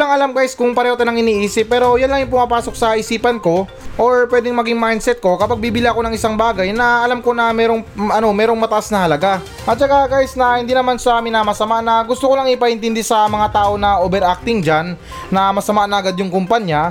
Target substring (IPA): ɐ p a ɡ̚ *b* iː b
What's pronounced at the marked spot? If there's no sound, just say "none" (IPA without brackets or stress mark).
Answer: b